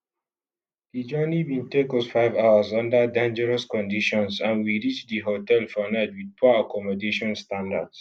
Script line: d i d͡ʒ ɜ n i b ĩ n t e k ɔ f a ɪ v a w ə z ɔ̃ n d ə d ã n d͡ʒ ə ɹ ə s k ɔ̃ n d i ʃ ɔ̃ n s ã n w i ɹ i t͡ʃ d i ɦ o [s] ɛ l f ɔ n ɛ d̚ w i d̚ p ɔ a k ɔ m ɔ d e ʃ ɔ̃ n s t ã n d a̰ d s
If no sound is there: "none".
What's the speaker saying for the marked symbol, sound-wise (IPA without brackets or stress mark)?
t